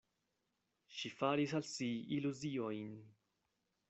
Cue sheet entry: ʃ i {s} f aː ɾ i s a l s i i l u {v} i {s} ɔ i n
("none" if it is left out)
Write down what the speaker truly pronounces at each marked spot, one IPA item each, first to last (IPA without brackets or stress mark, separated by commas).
none, z, none